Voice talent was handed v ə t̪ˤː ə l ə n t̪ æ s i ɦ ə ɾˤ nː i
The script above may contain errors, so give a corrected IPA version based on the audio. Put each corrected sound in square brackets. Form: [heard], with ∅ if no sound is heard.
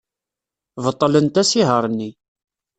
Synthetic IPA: v ə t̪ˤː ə l ə n t̪ æ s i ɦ ə ɾˤ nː i